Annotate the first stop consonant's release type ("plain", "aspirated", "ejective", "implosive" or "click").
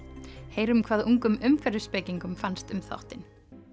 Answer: aspirated